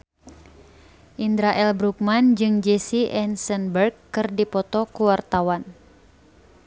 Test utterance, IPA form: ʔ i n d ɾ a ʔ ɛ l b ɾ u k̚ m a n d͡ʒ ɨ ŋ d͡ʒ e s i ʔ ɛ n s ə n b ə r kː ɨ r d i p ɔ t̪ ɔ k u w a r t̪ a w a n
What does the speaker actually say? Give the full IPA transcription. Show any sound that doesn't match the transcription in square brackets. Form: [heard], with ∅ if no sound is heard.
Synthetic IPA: ʔ i n d ɾ a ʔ ɛ l b ɾ u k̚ m a n d͡ʒ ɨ ŋ d͡ʒ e s i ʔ ɛ n s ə n b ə r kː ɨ r d i p ɔ t̪ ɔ k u w a r t̪ a w a n